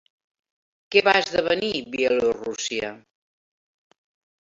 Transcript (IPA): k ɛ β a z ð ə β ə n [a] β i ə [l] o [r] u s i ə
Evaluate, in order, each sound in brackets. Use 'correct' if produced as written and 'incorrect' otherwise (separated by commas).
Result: incorrect, correct, correct